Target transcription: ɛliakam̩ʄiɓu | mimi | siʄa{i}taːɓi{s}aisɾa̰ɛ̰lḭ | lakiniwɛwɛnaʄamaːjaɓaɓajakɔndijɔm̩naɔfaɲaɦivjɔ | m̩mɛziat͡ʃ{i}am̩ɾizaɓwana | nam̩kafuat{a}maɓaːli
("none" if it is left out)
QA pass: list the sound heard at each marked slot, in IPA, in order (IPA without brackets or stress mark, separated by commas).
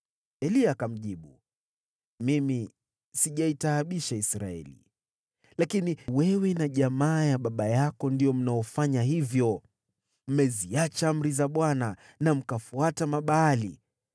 i, ʃ, a, a